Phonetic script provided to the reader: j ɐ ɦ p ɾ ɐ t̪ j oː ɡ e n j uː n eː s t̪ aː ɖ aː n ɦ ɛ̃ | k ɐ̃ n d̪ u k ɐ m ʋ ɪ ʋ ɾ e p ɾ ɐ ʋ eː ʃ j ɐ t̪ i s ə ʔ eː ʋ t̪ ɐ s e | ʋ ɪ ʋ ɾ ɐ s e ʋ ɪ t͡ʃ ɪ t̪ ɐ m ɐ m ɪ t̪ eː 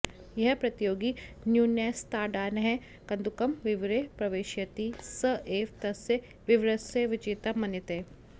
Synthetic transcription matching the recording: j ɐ ɦ p ɾ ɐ t̪ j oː ɡ i n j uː n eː s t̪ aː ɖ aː n ɦ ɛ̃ | k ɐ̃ n d̪ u k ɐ m ʋ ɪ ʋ ɾ e p ɾ ɐ ʋ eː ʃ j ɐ t̪ i s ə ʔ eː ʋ t̪ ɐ s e | ʋ ɪ ʋ ɾ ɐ s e ʋ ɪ t͡ʃ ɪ t̪ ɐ m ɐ n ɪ t̪ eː